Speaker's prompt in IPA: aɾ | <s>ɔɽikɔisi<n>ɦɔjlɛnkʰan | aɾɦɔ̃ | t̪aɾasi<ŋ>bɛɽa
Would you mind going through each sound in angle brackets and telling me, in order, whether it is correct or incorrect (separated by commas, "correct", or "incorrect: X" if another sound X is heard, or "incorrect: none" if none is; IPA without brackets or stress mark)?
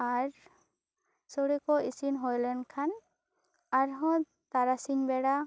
correct, correct, incorrect: ɲ